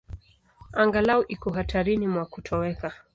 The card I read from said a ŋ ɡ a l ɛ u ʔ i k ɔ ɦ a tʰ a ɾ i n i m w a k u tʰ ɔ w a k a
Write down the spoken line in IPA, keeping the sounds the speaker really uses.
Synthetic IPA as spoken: a ŋ ɡ a l a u ʔ i k ɔ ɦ a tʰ a ɾ i n i m w a k u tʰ ɔ w ɛ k a